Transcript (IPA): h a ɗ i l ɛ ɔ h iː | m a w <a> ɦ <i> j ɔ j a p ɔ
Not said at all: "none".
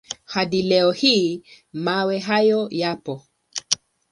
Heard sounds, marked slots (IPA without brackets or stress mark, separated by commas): ɛ, a